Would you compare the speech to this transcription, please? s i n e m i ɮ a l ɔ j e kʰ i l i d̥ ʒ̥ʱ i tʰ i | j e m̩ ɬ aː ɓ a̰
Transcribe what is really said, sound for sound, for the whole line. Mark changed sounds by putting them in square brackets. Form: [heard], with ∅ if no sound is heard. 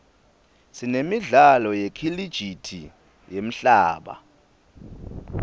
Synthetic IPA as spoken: s i n e m i ɮ a l ɔ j e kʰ i l i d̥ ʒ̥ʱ i tʰ i | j e m̩ ɬ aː ɓ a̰

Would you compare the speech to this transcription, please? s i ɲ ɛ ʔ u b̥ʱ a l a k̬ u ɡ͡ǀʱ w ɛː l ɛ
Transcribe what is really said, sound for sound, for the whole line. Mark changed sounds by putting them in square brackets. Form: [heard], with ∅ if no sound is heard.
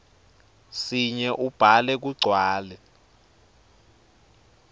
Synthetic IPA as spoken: s i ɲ ɛ ʔ u b̥ʱ a l [ɛ] k̬ u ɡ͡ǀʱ w [aː] l ɛ

